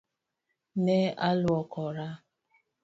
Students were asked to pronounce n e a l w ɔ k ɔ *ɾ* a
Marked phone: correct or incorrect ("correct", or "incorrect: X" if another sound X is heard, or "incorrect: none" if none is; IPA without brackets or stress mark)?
correct